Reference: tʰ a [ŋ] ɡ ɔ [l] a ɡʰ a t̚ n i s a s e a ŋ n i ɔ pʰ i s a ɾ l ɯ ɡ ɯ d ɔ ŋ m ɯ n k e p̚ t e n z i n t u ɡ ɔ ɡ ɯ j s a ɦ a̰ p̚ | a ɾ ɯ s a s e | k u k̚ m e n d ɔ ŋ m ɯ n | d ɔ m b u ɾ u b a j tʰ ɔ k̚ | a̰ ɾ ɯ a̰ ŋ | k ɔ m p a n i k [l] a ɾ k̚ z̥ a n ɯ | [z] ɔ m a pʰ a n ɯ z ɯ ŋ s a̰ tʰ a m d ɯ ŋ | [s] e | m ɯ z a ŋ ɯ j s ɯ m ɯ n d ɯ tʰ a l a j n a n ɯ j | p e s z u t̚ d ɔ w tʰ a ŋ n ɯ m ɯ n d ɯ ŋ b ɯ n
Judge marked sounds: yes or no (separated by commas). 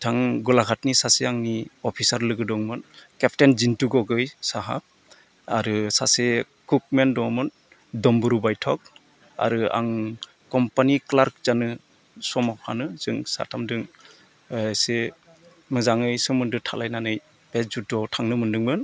yes, yes, yes, no, yes